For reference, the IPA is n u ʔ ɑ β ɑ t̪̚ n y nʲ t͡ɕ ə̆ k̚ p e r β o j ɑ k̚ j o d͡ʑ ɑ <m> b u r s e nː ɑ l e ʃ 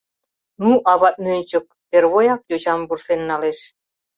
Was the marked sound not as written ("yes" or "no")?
no